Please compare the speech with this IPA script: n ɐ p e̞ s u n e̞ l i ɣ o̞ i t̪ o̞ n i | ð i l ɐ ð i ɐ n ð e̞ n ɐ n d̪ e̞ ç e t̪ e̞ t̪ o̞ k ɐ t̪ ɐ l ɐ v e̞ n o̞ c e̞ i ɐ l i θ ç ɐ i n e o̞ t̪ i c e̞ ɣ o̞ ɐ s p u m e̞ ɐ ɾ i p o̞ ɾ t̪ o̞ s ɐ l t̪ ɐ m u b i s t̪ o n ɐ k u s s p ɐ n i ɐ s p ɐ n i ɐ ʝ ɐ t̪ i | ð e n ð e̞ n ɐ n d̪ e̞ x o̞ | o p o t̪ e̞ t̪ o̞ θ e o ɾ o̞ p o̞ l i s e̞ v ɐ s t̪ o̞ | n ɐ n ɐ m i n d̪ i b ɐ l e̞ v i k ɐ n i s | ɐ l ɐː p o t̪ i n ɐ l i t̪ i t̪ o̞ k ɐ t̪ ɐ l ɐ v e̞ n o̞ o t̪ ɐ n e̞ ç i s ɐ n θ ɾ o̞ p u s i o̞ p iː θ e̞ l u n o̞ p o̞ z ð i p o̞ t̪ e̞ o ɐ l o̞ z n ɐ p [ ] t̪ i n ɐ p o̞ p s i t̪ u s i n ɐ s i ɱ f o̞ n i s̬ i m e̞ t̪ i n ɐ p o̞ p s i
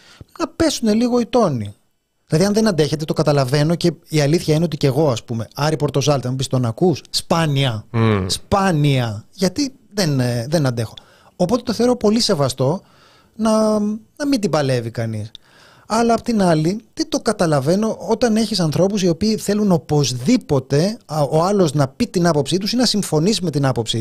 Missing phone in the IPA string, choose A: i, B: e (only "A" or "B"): A